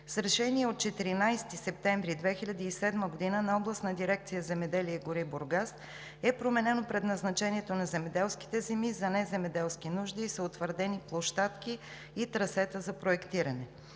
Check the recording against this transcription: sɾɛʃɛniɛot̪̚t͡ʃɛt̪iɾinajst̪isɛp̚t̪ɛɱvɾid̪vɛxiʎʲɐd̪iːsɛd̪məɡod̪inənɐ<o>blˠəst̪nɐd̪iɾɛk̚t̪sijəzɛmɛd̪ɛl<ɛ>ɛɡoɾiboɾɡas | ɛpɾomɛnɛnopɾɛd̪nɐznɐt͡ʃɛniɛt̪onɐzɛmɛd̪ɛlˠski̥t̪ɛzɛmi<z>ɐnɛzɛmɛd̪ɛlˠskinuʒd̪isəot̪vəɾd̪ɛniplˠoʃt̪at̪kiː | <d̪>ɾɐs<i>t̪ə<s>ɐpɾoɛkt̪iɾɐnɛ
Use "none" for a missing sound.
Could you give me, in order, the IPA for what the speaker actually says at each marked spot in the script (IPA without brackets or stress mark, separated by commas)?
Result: ɔ, i, z, t̪, ɛ, z